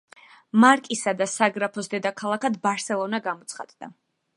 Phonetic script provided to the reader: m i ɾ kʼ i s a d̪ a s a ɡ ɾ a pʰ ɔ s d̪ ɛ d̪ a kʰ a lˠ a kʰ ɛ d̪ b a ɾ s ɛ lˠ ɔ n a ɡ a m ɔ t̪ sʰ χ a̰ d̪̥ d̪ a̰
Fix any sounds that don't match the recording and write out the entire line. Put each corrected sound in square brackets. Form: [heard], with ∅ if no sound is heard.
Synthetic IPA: m [a] ɾ kʼ i s a d̪ a s a ɡ ɾ a pʰ ɔ s d̪ ɛ d̪ a kʰ a lˠ a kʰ [a] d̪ b a ɾ s ɛ lˠ ɔ n a ɡ a m ɔ t̪ sʰ χ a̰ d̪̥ d̪ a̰